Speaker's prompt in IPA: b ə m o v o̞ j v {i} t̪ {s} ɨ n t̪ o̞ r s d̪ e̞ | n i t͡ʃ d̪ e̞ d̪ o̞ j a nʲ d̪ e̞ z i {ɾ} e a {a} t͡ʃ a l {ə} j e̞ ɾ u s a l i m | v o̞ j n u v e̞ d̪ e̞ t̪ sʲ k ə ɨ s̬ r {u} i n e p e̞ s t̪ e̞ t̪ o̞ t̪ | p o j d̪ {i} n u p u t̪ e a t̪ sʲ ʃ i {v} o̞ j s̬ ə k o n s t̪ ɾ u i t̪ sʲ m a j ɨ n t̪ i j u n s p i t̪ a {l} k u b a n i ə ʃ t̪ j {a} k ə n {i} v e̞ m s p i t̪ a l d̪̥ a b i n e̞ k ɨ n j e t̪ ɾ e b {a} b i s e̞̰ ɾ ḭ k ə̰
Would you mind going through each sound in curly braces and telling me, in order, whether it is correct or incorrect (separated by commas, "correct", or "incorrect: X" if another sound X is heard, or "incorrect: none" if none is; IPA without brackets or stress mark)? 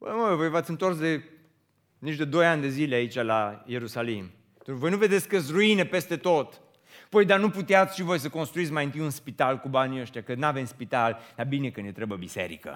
incorrect: a, correct, incorrect: l, incorrect: i, incorrect: a, correct, incorrect: a, correct, correct, correct, incorrect: a, incorrect: ə